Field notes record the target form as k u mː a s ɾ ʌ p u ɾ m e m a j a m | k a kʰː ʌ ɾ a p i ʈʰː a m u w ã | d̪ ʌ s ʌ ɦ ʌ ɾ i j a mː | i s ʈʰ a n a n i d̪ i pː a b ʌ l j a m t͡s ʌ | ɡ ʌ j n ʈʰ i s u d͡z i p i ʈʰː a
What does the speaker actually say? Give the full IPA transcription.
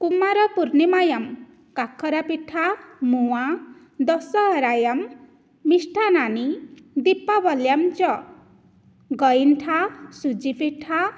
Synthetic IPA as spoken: k u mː a ɾ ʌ p u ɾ n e m a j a m | k a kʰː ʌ ɾ a p i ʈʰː a m u w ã | d̪ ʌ s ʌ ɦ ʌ ɾ a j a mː | i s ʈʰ a n a n i d̪ i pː a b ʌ l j a m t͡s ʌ | ɡ ʌ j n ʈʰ a s u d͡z i p i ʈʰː a